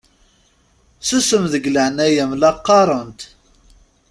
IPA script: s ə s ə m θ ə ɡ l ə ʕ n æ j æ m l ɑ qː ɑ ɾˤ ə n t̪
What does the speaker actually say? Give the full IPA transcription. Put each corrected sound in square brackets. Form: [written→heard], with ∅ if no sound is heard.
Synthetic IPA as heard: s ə s ə m [θ→ð] ə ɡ l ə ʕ n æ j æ m l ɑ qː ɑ ɾˤ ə n t̪